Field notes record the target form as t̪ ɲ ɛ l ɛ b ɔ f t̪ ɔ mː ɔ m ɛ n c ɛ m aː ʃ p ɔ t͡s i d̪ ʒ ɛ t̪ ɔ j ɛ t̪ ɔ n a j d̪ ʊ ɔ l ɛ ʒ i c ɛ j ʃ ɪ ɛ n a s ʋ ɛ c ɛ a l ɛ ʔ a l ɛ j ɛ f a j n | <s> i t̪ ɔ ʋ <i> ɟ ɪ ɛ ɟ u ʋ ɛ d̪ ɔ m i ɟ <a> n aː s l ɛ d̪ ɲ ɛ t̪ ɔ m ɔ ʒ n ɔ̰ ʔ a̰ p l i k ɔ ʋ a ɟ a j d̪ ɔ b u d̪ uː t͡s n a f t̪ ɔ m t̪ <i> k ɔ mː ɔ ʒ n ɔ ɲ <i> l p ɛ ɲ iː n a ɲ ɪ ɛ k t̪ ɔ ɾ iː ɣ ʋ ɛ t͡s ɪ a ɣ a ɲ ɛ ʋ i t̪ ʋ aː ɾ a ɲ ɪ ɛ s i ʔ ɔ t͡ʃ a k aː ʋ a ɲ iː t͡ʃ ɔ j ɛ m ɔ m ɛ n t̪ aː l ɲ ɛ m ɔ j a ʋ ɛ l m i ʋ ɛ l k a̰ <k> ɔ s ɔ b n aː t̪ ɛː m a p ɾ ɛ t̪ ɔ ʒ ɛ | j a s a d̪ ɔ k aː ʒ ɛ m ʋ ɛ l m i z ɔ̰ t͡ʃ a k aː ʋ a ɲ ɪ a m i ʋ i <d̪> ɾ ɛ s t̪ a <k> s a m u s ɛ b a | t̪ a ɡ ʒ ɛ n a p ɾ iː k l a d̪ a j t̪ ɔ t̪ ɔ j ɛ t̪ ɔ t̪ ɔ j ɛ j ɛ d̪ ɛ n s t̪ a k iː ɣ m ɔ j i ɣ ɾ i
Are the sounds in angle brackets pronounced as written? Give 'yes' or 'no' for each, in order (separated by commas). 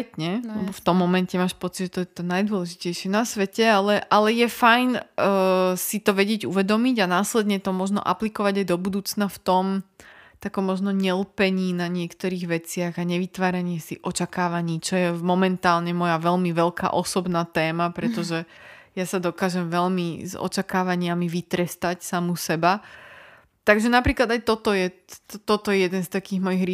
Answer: yes, no, yes, no, no, no, no, no